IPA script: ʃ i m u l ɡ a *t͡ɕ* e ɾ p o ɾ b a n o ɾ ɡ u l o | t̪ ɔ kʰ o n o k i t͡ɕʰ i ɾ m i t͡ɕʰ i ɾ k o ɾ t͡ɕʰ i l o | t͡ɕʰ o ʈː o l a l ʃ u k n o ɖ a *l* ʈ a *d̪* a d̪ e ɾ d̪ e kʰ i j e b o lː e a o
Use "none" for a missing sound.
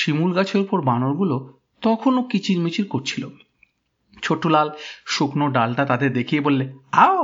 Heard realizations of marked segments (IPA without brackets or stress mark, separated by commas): t͡ɕʰ, l, t̪